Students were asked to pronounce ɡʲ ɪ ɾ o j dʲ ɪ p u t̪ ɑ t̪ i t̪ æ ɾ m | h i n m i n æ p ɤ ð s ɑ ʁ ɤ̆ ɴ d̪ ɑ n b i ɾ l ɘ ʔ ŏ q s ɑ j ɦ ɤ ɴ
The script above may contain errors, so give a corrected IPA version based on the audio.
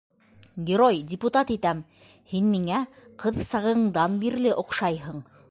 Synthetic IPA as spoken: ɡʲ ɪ ɾ o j dʲ ɪ p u t̪ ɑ t̪ i t̪ æ m | h i n m i ŋ æ q ɤ ð s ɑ ʁ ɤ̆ ɴ d̪ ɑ n b i ɾ l ɘ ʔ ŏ q ʃ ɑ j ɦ ɤ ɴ